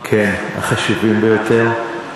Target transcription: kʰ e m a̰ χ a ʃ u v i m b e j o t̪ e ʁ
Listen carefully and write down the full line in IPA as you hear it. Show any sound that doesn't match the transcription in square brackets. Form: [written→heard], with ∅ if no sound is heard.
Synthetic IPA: kʰ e [m→n] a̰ χ a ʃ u v i m b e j o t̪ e ʁ